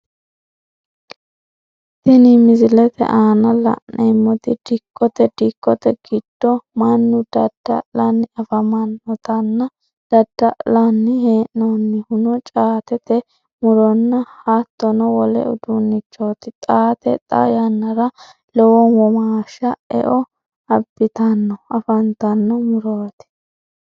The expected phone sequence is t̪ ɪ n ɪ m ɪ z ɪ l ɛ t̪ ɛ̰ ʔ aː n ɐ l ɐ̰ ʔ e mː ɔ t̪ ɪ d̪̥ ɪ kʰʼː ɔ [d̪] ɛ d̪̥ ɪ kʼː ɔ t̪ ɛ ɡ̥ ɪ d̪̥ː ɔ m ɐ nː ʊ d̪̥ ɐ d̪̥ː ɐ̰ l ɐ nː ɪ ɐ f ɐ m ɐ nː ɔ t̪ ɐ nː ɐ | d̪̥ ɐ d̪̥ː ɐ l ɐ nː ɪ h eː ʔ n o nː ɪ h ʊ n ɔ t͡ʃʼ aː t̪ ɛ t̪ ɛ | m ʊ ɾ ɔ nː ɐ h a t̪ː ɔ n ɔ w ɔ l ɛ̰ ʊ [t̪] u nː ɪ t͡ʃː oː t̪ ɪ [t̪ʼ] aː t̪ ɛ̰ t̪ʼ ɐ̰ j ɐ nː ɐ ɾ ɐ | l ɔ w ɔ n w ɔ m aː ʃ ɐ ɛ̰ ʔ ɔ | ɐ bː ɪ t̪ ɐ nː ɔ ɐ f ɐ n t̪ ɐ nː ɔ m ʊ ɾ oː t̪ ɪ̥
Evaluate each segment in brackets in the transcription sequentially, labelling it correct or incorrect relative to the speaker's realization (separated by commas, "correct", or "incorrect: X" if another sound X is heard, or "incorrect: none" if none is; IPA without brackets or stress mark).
incorrect: t̪, incorrect: d̪, correct